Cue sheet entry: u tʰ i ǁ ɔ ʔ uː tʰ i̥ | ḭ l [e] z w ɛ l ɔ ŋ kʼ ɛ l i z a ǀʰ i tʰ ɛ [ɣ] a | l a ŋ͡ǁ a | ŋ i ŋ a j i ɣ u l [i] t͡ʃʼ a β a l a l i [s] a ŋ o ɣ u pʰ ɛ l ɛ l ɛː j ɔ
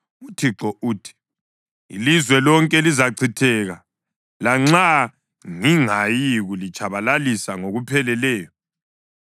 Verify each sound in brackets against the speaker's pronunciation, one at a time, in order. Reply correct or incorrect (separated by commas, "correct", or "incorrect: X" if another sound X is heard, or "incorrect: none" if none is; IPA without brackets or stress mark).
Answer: incorrect: i, correct, correct, correct